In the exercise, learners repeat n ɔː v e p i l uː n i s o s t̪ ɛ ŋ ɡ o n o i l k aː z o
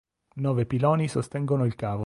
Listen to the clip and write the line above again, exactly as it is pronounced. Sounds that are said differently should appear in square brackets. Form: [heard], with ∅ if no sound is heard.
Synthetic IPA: n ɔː v e p i l [ɔː] n i s o s t̪ ɛ ŋ ɡ o n o i l k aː [v] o